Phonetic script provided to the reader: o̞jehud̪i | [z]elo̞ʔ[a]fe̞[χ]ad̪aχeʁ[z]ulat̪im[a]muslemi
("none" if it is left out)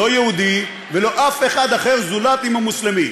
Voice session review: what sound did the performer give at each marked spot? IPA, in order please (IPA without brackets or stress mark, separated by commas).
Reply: v, a, χ, z, a